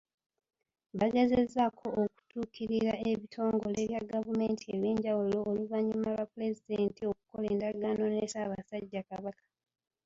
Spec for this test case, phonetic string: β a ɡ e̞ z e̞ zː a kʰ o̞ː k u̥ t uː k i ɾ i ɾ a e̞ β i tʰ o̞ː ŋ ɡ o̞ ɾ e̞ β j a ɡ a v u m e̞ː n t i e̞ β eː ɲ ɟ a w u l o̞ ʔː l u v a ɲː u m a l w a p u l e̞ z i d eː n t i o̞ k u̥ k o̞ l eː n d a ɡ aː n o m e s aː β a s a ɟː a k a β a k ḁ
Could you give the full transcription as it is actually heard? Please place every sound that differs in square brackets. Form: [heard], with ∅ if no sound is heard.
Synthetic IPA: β a ɡ e̞ z e̞ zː a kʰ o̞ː k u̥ t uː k i ɾ i ɾ a e̞ β i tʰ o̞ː ŋ ɡ o̞ [l] e̞ β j a ɡ a v u m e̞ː n t i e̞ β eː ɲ ɟ a w u l o̞ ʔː l u v a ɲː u m a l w a p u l e̞ z i d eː n t i o̞ k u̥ k o̞ l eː n d a ɡ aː n o [n] e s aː β a s a ɟː a k a β a k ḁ